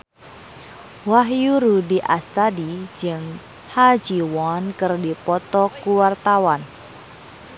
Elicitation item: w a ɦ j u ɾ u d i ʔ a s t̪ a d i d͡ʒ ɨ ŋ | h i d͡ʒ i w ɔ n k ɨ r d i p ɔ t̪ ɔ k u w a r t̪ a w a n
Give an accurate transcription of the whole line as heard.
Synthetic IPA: w a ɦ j u ɾ u d i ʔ a s t̪ a d i d͡ʒ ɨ ŋ | h a d͡ʒ i w ɔ n k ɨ r d i p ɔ t̪ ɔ k u w a r t̪ a w a n